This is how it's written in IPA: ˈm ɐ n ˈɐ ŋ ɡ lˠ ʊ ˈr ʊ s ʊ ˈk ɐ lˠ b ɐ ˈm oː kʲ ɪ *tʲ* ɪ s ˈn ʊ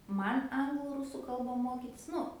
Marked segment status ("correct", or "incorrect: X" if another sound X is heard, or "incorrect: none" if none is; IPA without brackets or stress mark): correct